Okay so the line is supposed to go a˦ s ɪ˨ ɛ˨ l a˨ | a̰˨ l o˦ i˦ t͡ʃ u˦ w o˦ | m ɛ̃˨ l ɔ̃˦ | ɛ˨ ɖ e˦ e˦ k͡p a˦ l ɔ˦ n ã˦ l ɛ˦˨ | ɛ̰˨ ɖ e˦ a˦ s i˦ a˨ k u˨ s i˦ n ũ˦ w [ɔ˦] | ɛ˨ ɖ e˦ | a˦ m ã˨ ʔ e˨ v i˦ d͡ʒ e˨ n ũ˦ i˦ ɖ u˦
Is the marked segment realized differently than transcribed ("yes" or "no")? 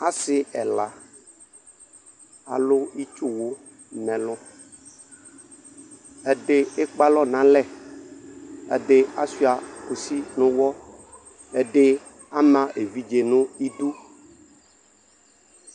no